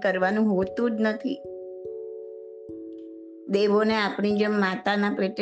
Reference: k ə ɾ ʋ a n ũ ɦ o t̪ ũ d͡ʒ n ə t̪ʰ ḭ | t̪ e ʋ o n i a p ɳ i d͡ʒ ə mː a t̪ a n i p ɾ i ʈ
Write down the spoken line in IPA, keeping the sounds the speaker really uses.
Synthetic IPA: k ə ɾ ʋ a n ũ ɦ o t̪ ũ d͡ʒ n ə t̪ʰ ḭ | d̪ e ʋ o n e a p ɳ i d͡ʒ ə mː a t̪ a n a p ɾ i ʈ